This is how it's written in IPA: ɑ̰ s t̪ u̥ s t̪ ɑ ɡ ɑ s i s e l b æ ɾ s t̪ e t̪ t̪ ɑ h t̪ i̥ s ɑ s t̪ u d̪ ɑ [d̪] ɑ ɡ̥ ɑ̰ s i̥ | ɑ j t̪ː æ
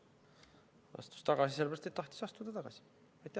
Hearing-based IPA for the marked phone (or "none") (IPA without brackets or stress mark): t̪